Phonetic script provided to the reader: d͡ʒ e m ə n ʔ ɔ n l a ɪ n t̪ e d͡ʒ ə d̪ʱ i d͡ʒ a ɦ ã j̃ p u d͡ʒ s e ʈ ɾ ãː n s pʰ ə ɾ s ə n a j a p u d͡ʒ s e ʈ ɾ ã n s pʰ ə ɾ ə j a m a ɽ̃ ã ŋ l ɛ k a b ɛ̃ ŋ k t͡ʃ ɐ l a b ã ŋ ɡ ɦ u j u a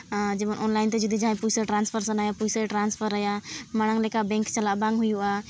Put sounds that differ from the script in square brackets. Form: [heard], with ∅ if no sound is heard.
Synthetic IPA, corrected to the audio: d͡ʒ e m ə n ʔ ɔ n l a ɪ n t̪ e d͡ʒ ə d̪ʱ i d͡ʒ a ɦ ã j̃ p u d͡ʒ s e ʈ ɾ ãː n s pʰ ə ɾ s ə n a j a p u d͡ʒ s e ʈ ɾ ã n s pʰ ə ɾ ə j a m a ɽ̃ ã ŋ l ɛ k a b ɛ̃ ŋ k t͡ʃ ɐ l a b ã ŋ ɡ ɦ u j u a